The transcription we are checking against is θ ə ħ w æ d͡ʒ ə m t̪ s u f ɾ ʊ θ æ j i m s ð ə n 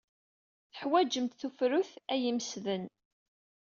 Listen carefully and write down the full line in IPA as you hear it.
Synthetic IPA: θ ə ħ w æ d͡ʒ ə m t̪ θ u f ɾ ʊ θ æ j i m s ð ə n